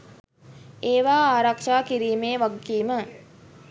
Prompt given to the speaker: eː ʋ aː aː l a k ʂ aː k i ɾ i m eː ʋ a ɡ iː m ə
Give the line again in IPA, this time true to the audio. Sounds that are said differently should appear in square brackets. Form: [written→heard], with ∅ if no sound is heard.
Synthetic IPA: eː ʋ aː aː [l→ɾ] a k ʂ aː k i ɾ [i→iː] m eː ʋ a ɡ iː m ə